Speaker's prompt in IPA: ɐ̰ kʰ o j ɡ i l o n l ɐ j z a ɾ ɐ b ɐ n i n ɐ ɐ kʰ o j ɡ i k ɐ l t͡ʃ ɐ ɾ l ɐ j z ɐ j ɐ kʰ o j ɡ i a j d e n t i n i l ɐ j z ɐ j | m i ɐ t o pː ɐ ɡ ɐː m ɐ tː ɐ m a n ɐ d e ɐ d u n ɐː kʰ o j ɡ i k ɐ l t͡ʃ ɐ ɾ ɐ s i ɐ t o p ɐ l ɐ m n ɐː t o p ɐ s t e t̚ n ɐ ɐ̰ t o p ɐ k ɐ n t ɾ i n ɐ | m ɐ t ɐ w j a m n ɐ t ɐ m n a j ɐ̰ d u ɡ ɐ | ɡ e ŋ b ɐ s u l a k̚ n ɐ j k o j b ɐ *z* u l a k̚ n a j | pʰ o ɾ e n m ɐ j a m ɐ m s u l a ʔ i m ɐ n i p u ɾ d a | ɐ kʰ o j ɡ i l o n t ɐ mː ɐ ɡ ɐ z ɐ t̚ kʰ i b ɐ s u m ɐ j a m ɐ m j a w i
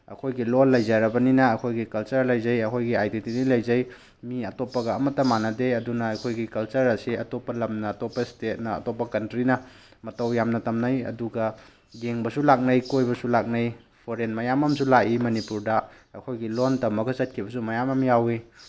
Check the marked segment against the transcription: incorrect: s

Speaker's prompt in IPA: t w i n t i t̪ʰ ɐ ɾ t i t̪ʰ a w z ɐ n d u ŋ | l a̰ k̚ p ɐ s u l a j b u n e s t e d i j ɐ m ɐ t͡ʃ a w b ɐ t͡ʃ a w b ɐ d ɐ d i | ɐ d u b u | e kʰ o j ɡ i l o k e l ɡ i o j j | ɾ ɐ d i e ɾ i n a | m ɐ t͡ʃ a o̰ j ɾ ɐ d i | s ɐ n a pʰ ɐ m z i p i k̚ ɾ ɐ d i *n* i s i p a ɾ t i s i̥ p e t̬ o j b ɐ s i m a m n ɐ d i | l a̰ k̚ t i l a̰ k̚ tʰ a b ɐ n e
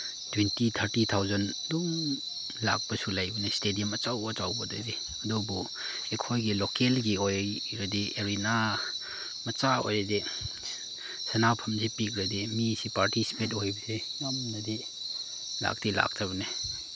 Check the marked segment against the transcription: incorrect: m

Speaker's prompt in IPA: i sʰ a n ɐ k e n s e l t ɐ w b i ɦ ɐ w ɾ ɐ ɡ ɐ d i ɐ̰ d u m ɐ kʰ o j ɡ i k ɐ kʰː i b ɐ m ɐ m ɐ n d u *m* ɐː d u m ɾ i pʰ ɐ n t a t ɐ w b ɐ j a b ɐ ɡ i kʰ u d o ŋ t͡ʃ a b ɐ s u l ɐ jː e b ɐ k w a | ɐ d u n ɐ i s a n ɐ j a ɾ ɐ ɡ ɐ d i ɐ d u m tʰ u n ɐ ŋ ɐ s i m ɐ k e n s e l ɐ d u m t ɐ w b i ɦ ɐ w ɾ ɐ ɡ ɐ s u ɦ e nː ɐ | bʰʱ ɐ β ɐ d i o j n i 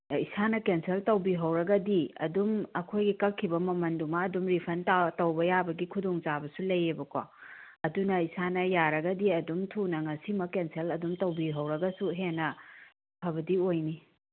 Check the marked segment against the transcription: correct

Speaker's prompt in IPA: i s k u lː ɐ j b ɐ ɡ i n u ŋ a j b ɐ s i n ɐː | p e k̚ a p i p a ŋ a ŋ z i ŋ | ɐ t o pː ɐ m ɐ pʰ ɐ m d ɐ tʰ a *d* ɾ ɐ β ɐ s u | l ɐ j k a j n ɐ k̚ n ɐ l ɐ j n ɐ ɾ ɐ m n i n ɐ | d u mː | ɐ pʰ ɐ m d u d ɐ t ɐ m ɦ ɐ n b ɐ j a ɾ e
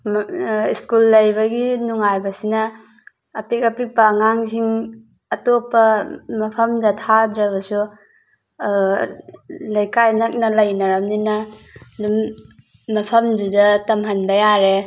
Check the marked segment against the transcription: correct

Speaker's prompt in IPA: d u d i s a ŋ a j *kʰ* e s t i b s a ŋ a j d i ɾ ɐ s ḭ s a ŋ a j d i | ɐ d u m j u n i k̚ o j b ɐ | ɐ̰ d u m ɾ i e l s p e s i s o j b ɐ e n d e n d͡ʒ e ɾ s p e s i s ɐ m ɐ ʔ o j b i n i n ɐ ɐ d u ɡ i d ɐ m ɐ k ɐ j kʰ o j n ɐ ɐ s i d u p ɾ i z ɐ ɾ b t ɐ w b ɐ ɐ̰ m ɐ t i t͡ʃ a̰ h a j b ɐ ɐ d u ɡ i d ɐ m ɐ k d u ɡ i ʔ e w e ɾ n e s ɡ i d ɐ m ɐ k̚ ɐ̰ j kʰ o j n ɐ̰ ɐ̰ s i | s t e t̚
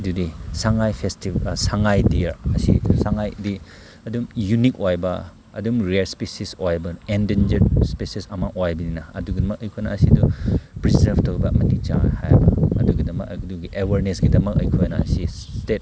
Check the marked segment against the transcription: incorrect: pʰ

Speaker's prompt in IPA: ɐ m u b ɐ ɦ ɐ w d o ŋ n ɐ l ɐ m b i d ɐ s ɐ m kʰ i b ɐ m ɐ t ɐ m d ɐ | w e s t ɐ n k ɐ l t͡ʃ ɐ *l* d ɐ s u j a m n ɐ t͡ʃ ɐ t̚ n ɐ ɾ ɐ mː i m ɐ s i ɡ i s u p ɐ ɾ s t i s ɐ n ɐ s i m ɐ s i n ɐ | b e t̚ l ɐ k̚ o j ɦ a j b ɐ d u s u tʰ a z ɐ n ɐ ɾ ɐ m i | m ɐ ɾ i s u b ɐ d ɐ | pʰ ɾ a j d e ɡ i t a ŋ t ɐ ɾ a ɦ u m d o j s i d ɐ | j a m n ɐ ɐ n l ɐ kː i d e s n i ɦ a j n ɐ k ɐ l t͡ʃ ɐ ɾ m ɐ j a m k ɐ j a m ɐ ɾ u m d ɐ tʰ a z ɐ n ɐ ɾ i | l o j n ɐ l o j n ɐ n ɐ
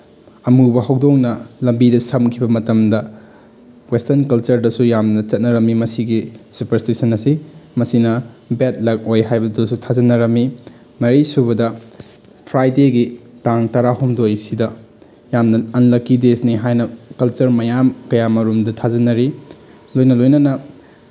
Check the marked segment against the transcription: incorrect: ɾ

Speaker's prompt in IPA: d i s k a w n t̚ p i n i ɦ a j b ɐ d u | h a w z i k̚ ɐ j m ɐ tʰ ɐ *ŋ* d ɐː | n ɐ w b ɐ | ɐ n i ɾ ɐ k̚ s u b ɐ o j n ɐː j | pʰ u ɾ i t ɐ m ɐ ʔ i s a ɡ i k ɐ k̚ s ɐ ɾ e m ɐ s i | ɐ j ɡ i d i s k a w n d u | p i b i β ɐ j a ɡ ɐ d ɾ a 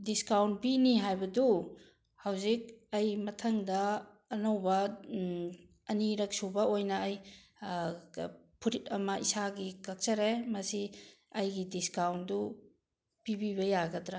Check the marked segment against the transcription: correct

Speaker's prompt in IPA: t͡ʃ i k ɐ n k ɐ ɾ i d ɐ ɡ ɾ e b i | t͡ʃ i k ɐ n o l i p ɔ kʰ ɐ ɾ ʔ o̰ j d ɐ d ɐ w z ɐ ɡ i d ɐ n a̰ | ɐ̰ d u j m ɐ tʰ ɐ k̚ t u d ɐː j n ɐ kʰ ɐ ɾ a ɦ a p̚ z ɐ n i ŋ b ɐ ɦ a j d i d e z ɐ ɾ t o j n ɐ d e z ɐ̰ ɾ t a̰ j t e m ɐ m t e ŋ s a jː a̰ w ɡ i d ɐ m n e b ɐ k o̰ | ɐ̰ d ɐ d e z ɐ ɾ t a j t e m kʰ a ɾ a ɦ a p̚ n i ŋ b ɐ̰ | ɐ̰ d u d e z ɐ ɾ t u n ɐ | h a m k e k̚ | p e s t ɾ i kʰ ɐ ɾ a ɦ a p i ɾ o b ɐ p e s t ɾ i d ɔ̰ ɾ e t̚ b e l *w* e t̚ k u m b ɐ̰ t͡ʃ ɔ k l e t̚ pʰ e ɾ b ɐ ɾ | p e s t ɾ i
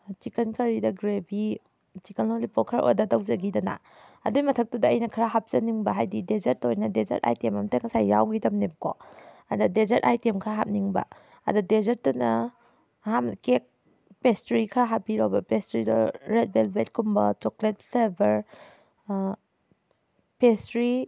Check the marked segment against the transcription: incorrect: b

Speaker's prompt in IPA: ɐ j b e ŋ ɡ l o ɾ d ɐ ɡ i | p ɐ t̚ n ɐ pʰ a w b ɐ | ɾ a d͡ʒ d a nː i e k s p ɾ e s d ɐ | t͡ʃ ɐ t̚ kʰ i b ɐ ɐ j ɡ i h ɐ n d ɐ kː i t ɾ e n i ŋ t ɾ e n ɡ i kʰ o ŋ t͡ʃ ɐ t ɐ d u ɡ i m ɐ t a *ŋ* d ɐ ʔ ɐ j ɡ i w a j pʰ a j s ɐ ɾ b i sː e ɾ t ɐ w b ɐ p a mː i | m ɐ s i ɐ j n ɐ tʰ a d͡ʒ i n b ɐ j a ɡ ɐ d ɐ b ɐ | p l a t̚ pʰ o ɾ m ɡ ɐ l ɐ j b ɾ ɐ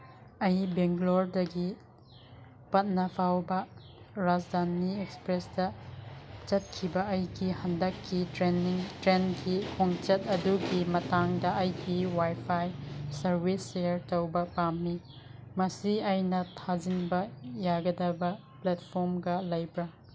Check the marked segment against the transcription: correct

